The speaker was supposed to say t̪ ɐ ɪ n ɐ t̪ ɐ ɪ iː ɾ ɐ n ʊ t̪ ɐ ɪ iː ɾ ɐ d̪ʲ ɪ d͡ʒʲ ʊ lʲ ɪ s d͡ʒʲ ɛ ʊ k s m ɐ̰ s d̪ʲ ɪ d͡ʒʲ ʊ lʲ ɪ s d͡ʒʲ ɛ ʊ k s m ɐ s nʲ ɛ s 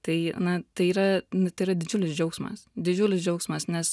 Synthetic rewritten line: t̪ ɐ ɪ n ɐ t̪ ɐ ɪ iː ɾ ɐ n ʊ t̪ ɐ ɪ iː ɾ ɐ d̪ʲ ɪ d͡ʒʲ ʊ lʲ ɪ s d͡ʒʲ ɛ ʊ k s m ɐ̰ s d̪ʲ ɪ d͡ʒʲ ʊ lʲ ɪ s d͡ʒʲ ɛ ʊ k s m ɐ s nʲ ɛ s